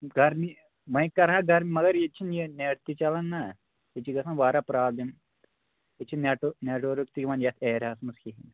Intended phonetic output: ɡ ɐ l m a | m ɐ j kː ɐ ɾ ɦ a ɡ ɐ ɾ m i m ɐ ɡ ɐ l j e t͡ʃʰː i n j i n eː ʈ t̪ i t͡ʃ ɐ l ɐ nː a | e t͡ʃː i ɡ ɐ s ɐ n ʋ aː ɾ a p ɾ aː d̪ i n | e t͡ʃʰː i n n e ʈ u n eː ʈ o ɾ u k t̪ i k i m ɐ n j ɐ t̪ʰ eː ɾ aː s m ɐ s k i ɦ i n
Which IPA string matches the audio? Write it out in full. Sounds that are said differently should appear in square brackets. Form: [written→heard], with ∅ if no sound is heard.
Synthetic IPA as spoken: ɡ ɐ [l→ɾ] m [a→i] | m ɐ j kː ɐ ɾ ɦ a ɡ ɐ ɾ m i m ɐ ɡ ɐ [l→ɾ] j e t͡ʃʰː i n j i n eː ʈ t̪ i t͡ʃ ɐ l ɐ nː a | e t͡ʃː i ɡ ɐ s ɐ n ʋ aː ɾ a p ɾ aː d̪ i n | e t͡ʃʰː i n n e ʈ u n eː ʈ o ɾ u k t̪ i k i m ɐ n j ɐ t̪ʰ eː ɾ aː s m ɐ s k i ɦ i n